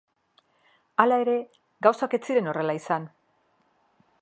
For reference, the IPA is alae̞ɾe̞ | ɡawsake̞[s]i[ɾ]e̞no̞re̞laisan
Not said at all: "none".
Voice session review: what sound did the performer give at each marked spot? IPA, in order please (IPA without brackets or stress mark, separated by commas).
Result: t͡s, ɾ